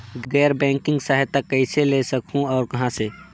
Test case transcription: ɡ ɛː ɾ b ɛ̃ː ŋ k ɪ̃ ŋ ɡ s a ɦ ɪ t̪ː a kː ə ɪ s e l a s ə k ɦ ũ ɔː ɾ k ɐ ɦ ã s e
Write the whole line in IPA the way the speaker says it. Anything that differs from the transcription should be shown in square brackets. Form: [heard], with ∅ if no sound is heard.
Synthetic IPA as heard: ɡ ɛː ɾ b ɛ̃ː ŋ k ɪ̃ ŋ ɡ s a ɦ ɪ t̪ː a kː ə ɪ s e l [e] s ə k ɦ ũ ɔː ɾ k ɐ ɦ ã s e